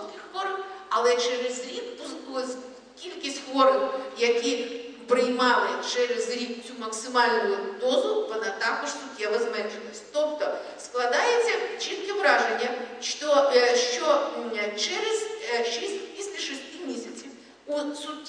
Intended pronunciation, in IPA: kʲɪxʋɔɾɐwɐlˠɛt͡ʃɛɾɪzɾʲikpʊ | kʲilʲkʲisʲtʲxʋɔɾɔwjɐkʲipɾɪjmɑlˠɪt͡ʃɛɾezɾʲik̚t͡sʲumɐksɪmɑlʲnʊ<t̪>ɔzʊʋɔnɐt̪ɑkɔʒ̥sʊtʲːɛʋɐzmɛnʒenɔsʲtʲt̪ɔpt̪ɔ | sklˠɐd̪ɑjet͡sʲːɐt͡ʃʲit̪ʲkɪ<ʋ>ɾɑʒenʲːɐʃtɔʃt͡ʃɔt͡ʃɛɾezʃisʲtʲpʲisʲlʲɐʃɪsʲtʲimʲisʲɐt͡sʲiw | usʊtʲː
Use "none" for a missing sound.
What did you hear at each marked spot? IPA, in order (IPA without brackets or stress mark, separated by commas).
d̪, ʋ